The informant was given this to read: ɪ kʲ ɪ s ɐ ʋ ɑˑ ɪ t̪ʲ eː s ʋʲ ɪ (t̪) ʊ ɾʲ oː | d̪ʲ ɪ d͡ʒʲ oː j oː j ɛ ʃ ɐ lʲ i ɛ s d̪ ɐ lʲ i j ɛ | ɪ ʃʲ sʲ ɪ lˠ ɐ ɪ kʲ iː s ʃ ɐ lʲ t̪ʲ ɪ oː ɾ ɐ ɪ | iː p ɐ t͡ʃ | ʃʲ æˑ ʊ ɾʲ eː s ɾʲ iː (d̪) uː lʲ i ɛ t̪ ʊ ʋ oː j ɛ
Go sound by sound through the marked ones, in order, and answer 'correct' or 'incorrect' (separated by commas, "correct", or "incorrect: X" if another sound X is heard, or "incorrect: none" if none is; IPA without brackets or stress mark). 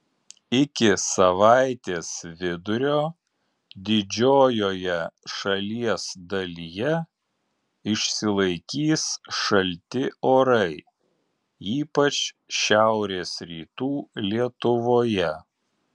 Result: incorrect: d̪, incorrect: t̪